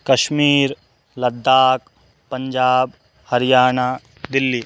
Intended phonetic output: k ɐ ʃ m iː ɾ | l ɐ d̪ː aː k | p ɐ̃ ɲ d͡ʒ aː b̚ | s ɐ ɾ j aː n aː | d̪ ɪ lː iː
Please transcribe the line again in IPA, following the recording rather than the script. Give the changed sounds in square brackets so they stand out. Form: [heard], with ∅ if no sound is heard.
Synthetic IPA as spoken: k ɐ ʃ m iː ɾ | l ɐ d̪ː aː k | p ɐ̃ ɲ d͡ʒ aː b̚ | [h] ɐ ɾ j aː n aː | d̪ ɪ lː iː